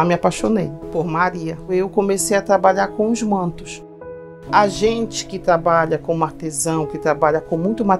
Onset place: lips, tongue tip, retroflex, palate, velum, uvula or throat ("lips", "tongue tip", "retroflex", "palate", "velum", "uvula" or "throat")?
lips